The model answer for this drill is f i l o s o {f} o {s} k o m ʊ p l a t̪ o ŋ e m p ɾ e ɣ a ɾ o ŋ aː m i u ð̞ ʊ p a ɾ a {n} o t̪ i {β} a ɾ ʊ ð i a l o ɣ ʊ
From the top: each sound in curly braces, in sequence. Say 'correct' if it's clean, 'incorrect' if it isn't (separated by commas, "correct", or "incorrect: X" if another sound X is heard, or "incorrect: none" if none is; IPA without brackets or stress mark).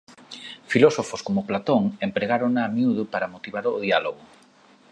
correct, correct, incorrect: m, correct